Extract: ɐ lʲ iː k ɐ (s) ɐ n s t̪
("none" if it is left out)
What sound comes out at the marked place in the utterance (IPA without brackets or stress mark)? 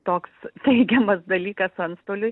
s